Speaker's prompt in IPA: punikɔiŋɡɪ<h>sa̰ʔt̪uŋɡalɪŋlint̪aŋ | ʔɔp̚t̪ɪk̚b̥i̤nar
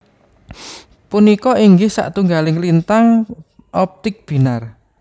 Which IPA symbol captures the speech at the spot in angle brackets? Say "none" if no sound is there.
h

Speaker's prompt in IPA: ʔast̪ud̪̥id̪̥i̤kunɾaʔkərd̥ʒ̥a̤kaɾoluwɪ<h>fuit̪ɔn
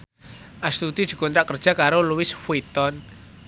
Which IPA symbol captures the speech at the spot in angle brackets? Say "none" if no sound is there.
s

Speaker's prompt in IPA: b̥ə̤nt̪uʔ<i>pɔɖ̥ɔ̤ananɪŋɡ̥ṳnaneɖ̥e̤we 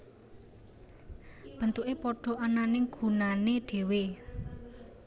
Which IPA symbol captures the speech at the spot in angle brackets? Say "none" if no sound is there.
e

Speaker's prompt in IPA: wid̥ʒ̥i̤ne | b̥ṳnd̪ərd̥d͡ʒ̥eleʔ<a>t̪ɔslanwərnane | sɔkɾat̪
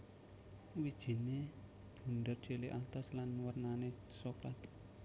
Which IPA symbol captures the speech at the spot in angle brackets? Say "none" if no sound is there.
a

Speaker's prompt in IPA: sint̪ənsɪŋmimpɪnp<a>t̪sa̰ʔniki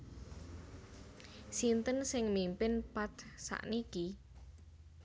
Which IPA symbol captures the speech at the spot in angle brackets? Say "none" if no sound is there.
a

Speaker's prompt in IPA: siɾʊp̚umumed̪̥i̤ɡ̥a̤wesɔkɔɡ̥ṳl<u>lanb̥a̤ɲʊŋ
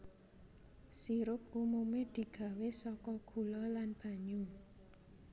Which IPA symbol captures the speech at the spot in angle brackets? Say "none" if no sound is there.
ɔ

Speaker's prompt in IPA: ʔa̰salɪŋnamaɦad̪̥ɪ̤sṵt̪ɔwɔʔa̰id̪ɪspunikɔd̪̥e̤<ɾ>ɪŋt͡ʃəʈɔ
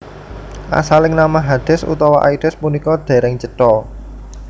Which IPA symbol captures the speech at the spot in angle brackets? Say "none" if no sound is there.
ɾ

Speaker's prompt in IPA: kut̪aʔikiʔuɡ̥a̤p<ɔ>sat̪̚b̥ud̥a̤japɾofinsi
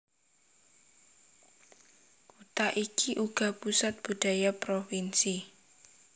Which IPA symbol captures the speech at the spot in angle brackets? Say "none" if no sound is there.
u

